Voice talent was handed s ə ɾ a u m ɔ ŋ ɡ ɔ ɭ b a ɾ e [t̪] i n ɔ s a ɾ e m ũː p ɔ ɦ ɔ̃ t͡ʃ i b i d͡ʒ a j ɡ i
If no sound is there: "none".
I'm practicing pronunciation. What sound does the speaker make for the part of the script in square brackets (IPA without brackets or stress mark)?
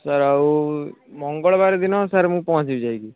d̪